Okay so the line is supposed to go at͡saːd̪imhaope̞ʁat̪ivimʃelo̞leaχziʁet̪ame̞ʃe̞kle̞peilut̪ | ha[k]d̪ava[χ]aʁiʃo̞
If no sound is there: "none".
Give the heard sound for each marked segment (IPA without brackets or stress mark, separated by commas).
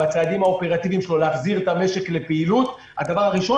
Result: none, ʁ